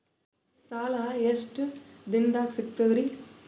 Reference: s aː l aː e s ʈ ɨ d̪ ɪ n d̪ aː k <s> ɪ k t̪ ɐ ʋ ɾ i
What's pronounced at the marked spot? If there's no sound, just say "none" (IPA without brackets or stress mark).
s